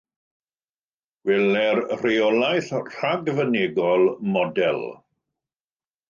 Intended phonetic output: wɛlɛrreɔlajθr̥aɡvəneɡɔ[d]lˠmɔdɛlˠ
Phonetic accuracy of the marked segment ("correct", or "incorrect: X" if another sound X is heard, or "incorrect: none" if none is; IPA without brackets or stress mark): incorrect: none